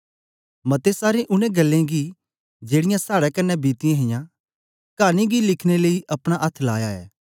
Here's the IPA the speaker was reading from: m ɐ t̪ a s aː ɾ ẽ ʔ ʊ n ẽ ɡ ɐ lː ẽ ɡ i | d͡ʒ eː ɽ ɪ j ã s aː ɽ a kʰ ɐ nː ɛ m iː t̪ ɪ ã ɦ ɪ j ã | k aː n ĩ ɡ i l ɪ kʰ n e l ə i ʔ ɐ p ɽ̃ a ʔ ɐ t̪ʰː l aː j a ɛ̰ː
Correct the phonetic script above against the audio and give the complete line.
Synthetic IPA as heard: m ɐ t̪ e s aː ɾ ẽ ʔ ʊ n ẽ ɡ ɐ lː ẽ ɡ i | d͡ʒ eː ɽ ɪ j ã s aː ɽ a k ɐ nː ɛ b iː t̪ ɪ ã ɦ ɪ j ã | k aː n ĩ ɡ i l ɪ kʰ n e l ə i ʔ ɐ p ɽ̃ a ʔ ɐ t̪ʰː l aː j a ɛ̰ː